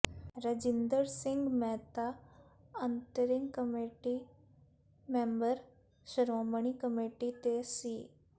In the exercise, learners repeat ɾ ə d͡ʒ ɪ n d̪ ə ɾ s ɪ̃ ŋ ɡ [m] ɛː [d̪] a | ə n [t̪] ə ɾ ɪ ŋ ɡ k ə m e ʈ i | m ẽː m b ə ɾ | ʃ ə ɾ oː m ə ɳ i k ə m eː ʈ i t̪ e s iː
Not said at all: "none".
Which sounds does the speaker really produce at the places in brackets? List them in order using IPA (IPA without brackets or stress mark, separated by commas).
m, t̪, t̪